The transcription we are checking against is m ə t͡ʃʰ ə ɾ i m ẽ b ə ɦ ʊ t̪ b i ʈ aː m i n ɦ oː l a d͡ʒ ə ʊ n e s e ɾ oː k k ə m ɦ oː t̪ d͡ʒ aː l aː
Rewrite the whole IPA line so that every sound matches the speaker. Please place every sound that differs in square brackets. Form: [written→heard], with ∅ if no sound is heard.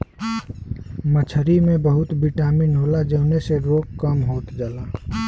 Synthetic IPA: m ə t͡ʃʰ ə ɾ i m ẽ b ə ɦ ʊ t̪ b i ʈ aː m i n ɦ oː l a d͡ʒ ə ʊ n e s e ɾ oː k k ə m ɦ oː t̪ d͡ʒ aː l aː